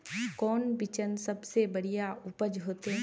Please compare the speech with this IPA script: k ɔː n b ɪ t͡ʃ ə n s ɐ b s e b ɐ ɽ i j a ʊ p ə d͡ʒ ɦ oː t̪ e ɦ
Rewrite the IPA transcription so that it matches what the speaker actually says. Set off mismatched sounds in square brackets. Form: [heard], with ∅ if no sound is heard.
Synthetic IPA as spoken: k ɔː n b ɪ t͡ʃ ə n s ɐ b s e b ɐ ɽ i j a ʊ p ə d͡ʒ ɦ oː t̪ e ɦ